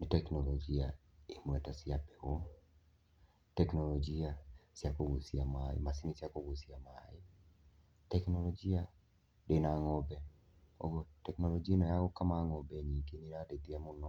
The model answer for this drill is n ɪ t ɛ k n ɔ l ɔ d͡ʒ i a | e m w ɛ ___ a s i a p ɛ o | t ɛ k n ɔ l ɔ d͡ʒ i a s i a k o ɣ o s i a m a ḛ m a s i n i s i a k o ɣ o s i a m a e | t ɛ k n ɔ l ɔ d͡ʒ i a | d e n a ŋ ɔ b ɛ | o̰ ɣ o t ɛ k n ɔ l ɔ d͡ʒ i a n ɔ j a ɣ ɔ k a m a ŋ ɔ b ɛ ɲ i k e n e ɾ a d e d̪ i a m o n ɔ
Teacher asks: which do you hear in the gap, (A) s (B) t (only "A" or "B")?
B